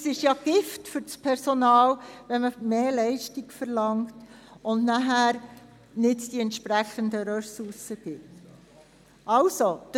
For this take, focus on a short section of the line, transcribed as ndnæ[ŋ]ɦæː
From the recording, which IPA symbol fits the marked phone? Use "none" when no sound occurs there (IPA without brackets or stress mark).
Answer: none